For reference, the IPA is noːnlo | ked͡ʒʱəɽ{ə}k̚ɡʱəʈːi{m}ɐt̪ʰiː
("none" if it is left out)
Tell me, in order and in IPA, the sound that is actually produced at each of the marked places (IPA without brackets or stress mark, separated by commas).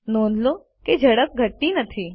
ə, n